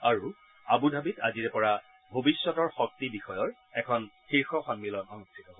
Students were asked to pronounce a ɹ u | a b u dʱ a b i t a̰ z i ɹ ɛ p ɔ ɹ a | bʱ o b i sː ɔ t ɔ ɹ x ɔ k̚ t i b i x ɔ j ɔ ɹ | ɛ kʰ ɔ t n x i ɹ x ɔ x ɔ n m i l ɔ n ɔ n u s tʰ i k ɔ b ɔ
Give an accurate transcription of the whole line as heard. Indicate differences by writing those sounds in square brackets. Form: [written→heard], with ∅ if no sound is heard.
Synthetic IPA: a ɹ u | a b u dʱ a b i t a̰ z i ɹ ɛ p ɔ ɹ a | bʱ o b i sː ɔ t ɔ ɹ x ɔ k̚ t i b i x ɔ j ɔ ɹ | ɛ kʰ ɔ [t→∅] n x i ɹ x ɔ x ɔ n m i l ɔ n ɔ n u s tʰ i [k→t] ɔ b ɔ